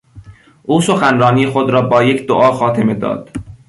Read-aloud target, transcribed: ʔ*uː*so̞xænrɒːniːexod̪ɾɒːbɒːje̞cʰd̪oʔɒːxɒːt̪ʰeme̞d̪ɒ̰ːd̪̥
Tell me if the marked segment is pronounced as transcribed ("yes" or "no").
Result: yes